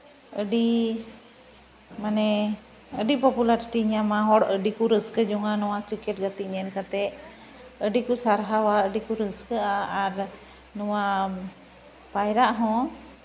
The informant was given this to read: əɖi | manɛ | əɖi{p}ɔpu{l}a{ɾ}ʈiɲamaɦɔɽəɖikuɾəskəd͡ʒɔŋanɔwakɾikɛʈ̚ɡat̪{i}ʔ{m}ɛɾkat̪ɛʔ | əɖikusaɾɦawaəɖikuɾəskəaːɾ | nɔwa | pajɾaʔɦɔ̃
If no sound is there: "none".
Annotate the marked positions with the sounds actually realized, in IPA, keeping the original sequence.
p, l, ɾ, i, ɲ

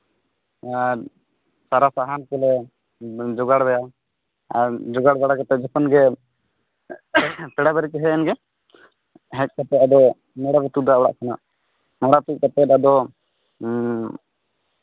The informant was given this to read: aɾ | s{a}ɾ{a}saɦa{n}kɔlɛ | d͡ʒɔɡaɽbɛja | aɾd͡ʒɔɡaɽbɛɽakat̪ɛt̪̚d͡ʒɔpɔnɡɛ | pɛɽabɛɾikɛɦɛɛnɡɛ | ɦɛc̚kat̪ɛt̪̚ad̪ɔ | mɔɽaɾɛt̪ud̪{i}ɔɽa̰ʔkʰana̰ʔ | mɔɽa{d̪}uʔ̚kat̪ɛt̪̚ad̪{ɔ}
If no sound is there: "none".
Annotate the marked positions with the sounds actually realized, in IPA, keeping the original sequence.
a, a, n, a, t̪, ɔ

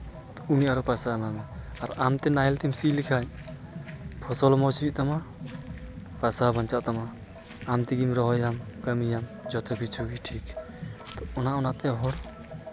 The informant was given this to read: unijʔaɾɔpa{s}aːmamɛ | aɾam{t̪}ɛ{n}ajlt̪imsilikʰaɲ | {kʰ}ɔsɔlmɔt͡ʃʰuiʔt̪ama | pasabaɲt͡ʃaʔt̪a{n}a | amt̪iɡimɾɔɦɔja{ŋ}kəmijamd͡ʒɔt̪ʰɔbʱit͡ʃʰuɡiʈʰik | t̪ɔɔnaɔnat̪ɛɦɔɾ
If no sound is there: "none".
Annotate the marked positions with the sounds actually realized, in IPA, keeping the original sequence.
s, t̪, n, pʰ, m, m

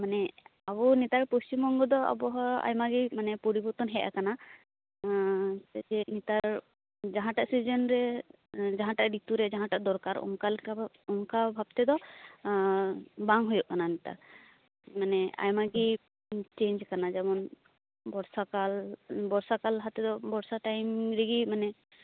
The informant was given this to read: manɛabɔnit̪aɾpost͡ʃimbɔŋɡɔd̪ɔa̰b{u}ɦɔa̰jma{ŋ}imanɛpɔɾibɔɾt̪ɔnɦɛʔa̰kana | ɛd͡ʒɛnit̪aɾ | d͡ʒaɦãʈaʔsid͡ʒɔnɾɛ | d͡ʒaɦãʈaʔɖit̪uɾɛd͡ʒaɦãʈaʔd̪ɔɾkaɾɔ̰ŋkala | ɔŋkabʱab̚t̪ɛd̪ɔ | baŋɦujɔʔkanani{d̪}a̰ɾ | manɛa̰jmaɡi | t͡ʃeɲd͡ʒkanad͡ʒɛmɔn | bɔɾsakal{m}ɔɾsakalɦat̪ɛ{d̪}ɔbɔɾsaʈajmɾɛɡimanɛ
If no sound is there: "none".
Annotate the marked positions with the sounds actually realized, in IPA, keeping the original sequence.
ɔ, ɡ, t̪, b, d̪

